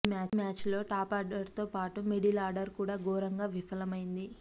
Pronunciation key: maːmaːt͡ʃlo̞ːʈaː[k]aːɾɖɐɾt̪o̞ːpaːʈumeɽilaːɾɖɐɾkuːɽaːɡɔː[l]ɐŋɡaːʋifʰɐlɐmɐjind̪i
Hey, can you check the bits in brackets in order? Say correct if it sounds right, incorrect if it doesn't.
incorrect, incorrect

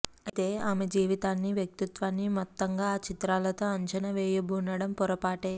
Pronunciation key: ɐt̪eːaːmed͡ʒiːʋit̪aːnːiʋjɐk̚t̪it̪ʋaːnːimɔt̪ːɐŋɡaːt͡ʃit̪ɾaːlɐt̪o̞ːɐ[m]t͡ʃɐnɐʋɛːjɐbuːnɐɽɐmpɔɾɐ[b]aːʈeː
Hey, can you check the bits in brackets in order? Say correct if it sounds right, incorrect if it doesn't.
incorrect, incorrect

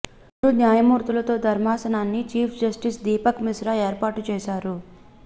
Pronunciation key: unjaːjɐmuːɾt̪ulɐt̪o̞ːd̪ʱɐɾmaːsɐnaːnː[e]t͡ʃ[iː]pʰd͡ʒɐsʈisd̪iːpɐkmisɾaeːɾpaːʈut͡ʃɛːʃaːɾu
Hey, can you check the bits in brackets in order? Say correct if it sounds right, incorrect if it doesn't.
incorrect, correct

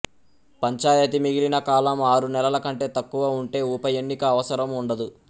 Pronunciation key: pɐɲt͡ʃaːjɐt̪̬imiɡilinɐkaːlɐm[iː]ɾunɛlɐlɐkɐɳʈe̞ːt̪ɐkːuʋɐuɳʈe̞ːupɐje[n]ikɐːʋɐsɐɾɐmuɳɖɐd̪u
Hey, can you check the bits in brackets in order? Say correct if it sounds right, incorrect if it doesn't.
incorrect, incorrect

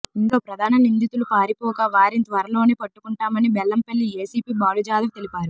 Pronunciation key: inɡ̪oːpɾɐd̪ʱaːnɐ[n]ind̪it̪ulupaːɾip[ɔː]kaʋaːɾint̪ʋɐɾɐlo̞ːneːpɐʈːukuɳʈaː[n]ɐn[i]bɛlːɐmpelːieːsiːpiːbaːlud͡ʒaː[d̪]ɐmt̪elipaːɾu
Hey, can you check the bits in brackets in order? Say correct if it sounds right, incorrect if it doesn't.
correct, correct, incorrect, correct, correct

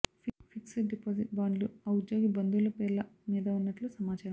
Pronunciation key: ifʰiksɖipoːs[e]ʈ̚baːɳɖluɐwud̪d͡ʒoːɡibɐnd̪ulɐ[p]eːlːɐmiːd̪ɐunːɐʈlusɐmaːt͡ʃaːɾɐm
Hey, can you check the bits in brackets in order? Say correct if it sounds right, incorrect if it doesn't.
incorrect, correct

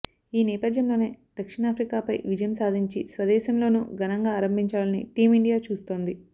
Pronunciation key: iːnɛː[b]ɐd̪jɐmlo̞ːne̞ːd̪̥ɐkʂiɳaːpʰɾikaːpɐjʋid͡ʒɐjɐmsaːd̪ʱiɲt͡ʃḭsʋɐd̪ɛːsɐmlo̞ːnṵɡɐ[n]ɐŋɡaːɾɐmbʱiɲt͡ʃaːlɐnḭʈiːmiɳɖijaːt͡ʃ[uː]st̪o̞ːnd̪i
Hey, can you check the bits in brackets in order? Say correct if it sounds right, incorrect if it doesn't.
incorrect, correct, correct

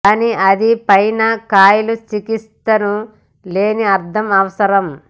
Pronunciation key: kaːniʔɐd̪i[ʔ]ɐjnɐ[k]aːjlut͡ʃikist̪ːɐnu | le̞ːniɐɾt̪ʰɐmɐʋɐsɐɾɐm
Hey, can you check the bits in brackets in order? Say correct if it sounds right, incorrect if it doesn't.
incorrect, correct

